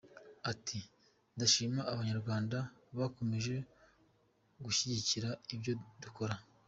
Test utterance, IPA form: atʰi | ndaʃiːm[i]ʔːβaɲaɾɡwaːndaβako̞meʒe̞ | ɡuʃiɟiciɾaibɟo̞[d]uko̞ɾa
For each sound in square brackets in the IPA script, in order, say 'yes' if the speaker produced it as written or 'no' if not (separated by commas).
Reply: no, yes